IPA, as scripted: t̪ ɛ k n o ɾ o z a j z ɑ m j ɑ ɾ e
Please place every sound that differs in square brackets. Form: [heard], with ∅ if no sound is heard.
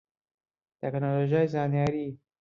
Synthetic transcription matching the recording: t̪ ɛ k n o [l] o [ʒ] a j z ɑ [n] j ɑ ɾ [i]

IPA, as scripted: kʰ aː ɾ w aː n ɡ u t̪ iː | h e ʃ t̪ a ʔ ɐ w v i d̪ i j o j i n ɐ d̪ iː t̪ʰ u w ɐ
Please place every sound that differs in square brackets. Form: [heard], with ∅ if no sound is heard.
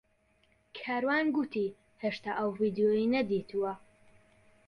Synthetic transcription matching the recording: kʰ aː ɾ w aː n ɡ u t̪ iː | h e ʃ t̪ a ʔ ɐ w v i d̪ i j o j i n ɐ d̪ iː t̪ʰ u w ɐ

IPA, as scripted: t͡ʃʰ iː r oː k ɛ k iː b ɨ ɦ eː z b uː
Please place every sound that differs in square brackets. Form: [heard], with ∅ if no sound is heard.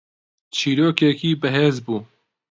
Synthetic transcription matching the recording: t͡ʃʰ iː [ɾ] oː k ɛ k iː b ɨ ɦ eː z b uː

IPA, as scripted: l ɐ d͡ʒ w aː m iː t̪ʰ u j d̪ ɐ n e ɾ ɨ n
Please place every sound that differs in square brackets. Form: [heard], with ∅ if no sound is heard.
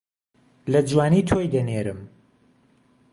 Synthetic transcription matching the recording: l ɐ d͡ʒ w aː [n] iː t̪ʰ [o] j d̪ ɐ n e ɾ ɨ [m]

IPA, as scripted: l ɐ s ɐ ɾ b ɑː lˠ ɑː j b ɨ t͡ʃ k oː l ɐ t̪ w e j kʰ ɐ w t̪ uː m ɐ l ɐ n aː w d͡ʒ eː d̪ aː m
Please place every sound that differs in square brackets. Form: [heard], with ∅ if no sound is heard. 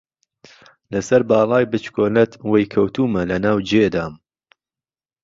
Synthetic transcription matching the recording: l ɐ s ɐ ɾ b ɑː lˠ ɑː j b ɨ t͡ʃ k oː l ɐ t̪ w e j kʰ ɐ w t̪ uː m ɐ l ɐ n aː w d͡ʒ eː d̪ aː m

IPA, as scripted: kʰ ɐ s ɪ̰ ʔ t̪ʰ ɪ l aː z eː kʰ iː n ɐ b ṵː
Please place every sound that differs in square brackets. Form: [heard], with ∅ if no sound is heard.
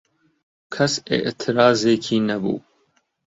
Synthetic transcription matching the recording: kʰ ɐ s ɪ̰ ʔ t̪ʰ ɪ [ɾ] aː z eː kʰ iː n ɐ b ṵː

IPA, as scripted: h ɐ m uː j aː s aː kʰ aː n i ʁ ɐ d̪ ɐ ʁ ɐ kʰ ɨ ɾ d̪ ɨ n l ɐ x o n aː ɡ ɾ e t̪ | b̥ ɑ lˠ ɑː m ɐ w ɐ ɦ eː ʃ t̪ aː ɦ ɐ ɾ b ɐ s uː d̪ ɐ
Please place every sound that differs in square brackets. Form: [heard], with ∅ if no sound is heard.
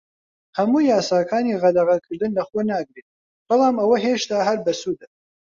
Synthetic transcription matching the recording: h ɐ m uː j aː s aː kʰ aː n i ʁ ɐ d̪ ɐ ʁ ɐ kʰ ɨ ɾ d̪ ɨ n l ɐ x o n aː ɡ ɾ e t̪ | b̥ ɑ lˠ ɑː m ɐ w ɐ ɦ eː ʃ t̪ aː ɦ ɐ ɾ b ɐ s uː d̪ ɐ

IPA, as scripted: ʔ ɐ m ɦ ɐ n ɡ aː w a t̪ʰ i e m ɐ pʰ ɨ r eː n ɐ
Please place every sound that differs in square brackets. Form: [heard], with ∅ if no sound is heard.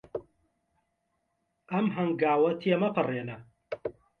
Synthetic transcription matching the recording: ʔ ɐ m ɦ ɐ [ŋ] ɡ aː w [ɐ] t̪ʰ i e m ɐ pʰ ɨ r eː n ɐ

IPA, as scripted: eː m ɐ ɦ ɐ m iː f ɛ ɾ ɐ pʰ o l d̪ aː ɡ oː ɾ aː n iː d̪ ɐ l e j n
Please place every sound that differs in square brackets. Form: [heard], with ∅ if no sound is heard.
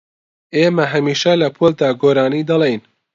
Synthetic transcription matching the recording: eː m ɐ ɦ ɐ m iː [ʃ] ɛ [l] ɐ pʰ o l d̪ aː ɡ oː ɾ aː n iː d̪ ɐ l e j n

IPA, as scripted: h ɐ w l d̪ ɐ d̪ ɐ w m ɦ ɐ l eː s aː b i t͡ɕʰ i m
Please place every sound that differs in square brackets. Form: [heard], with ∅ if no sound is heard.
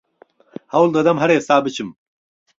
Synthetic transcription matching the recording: h ɐ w l d̪ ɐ d̪ ɐ [∅] m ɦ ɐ [ɾ] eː s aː b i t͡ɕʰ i m

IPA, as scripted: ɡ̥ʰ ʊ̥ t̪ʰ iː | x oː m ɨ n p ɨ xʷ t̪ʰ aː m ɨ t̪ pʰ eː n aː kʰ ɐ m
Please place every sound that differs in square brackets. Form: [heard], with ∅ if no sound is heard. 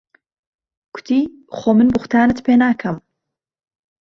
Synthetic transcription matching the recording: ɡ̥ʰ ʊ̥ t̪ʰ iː | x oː m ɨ n [b] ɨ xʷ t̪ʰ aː [n] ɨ t̪ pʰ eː n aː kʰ ɐ m

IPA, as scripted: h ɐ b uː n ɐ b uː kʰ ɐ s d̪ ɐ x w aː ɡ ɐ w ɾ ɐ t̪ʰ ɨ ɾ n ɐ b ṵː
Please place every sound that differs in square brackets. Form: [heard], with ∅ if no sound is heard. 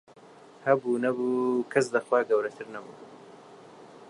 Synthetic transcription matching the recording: h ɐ b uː n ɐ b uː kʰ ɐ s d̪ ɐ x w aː ɡ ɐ w ɾ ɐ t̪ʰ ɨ ɾ n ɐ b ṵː

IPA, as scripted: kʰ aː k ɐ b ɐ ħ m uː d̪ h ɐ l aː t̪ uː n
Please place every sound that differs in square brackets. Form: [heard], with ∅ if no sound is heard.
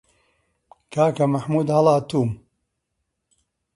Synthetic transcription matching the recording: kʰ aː k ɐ [m] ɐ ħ m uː d̪ h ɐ l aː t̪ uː [m]

